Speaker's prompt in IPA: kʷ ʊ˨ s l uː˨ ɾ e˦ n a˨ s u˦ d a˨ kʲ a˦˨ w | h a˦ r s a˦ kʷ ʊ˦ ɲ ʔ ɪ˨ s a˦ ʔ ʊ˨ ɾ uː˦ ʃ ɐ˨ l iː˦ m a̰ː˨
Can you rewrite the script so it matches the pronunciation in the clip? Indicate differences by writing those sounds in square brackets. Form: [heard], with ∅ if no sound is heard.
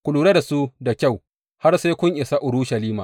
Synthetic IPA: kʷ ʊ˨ [∅] l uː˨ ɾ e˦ [d] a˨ s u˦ d a˨ kʲ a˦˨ w | h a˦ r s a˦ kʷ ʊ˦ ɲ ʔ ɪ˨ s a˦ ʔ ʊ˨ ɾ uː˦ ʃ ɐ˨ l iː˦ m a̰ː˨